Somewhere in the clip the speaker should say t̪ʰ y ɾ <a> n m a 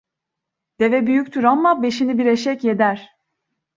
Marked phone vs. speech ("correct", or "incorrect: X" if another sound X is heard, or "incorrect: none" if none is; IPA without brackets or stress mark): correct